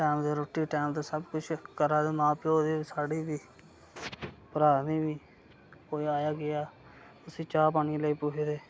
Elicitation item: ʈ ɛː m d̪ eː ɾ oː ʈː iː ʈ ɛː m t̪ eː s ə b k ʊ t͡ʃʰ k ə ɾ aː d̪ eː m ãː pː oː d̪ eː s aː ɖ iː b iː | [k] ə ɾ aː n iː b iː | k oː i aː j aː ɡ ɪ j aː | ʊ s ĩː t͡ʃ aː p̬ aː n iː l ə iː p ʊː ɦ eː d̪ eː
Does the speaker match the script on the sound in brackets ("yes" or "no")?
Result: no